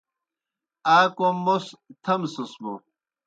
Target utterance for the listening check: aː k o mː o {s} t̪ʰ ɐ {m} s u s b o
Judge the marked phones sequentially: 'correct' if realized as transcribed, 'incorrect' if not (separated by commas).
correct, correct